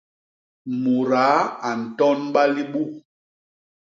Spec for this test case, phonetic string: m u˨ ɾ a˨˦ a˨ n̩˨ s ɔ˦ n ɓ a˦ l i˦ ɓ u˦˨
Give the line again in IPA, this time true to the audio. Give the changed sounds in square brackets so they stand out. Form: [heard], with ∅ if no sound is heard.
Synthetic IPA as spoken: m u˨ ɾ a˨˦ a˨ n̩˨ [t] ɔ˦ n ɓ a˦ l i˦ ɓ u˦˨

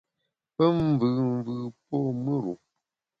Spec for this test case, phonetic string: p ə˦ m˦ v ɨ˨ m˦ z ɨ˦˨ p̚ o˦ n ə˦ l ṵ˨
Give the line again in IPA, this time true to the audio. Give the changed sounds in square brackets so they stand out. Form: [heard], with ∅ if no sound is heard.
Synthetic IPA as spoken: p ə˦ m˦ v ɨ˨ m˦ [v] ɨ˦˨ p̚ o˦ [m] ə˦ [ɾ] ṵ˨

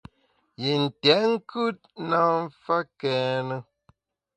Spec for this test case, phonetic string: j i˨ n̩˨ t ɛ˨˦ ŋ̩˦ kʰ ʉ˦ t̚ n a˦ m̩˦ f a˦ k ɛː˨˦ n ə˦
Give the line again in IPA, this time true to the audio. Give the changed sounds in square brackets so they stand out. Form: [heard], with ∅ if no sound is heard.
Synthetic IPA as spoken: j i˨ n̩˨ t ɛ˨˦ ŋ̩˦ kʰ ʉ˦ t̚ n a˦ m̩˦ f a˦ k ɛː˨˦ n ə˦

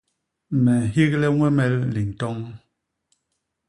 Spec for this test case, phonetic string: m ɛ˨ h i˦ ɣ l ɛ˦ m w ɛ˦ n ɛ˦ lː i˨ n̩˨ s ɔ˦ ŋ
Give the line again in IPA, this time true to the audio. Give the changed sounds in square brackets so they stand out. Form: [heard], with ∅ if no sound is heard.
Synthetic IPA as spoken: m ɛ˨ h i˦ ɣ l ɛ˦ [ŋ] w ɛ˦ [m] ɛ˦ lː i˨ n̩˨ [t] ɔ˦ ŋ

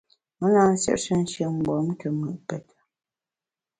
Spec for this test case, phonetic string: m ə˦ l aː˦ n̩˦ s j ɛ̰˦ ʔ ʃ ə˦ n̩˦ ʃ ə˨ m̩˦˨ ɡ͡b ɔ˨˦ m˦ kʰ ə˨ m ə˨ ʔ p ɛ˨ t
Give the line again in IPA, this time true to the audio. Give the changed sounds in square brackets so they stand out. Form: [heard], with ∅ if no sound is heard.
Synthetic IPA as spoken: m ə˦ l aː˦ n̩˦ s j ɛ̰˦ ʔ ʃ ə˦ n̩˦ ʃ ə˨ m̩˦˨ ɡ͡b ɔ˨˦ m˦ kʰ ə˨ m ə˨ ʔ p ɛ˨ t

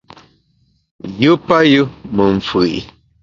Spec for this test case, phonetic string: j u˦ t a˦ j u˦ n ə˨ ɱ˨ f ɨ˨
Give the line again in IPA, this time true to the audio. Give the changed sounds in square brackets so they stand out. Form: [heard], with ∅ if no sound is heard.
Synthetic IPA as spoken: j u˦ [p] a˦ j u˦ [m] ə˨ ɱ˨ f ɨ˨

